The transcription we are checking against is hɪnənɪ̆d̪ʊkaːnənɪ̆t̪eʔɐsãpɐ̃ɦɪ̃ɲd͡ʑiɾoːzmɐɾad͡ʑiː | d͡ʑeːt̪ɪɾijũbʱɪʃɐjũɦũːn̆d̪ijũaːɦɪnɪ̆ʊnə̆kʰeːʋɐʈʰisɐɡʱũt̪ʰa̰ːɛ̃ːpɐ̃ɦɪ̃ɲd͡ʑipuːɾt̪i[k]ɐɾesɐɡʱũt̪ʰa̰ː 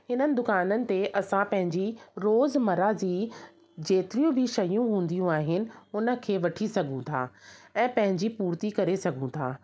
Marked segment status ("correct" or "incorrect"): correct